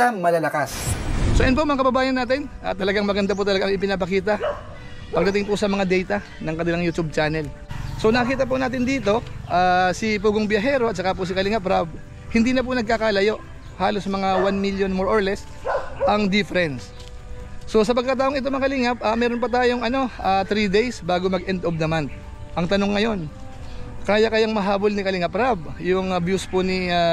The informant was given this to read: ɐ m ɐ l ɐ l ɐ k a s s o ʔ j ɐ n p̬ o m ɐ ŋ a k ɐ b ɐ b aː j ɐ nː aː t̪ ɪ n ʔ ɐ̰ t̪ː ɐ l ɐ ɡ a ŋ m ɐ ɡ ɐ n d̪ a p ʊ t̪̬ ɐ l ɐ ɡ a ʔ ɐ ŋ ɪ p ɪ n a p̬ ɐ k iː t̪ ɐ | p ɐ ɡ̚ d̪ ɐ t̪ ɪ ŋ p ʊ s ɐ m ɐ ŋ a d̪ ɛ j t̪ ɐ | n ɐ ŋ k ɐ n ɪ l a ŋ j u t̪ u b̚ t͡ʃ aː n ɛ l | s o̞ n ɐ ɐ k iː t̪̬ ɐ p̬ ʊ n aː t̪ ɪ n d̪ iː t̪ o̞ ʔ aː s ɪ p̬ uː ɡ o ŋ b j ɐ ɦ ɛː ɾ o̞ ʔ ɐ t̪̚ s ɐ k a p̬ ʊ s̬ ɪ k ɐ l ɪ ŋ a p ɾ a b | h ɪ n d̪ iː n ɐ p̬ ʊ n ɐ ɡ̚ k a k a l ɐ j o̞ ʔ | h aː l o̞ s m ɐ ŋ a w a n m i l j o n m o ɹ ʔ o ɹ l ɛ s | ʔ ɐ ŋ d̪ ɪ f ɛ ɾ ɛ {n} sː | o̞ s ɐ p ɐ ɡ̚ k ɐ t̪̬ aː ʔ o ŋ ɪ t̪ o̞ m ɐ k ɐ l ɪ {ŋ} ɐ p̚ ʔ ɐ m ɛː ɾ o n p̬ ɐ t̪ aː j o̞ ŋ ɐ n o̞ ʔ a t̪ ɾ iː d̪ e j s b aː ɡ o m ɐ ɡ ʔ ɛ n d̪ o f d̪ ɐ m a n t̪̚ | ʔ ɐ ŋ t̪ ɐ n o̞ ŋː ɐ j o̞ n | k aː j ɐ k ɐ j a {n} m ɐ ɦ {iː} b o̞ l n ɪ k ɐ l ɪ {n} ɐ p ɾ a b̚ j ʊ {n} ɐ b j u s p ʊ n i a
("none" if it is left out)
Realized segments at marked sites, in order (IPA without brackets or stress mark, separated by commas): n, ŋ, ŋ, aː, ŋ, ŋ